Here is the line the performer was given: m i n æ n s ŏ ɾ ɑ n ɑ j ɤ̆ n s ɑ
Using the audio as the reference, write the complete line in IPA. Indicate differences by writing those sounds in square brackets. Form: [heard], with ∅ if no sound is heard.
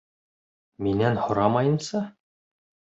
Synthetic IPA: m i n æ n [h] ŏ ɾ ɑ [m] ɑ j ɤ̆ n s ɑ